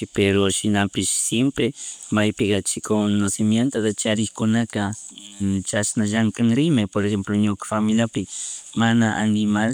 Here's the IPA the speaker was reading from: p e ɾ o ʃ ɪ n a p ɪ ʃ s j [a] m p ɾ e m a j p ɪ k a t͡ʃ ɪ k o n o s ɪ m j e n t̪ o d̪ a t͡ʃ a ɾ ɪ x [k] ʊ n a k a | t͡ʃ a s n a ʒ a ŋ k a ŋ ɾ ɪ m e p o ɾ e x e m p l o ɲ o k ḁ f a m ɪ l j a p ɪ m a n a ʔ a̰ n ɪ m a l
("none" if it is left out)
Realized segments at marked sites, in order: e, k

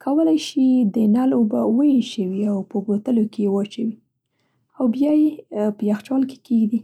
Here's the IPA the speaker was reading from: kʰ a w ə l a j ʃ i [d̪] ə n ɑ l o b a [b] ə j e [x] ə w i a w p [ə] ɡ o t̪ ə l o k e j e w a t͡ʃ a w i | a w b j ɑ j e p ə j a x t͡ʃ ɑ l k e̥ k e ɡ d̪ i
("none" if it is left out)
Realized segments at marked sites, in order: d̪, w, ʃ, ə

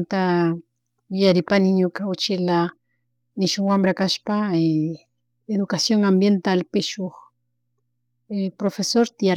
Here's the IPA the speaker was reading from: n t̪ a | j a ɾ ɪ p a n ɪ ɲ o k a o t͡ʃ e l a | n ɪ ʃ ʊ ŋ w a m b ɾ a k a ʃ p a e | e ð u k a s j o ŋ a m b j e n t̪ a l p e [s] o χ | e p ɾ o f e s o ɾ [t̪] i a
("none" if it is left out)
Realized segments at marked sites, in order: ʃ, t̪

